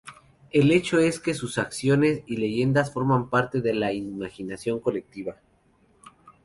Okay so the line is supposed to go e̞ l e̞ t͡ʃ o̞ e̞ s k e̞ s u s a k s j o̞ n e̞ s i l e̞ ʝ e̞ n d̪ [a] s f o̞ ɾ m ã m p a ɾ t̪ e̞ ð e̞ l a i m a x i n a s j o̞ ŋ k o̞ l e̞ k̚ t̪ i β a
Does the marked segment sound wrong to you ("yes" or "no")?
no